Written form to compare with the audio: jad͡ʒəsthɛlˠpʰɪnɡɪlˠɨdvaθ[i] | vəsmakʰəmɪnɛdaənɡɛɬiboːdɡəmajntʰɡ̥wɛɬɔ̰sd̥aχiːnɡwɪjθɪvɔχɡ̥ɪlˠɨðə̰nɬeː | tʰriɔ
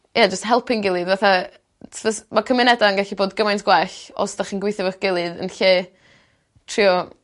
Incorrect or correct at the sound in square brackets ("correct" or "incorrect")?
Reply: incorrect